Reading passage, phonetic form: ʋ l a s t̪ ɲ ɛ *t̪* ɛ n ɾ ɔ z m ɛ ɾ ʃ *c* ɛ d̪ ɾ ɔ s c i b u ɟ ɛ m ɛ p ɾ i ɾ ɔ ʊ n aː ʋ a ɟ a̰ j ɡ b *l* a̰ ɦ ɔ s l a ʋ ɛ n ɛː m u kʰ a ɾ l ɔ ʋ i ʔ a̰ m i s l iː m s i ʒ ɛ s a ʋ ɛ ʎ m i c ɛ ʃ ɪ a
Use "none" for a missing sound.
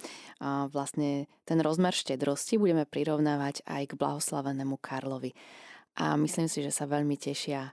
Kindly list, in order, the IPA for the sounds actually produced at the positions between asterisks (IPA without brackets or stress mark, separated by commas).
t̪, c, l